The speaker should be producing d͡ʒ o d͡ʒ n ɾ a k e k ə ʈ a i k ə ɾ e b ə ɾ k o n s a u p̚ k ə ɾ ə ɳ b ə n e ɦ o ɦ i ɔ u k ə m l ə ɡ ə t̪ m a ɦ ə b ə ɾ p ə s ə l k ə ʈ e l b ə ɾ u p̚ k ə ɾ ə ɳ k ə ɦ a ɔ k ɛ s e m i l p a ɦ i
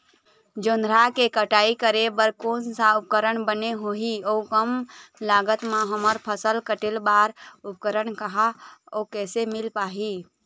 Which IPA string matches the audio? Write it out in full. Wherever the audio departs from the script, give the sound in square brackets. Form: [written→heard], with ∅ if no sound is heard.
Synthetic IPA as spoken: d͡ʒ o [d͡ʒ→∅] n ɾ a k e k ə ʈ a i k ə ɾ e b ə ɾ k o n s a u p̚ k ə ɾ ə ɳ b ə n e ɦ o ɦ i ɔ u k ə m l [ə→a] ɡ ə t̪ m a ɦ ə [b→m] ə ɾ [p→pʰ] ə s ə l k ə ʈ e l b [ə→a] ɾ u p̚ k ə ɾ ə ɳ k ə ɦ a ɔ k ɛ s e m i l p a ɦ i